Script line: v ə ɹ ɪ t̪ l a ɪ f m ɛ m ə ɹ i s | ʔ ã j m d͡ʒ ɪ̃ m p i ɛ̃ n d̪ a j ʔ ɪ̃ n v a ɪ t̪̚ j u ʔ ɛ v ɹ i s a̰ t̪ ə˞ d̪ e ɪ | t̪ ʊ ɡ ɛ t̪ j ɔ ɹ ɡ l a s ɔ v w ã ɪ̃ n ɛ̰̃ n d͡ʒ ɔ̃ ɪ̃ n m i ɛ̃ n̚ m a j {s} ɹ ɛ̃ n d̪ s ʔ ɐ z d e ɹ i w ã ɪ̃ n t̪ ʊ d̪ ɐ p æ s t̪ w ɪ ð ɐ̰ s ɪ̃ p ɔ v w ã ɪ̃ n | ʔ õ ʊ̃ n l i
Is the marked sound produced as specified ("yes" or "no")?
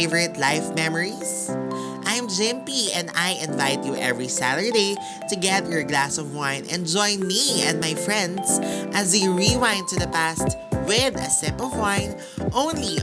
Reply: no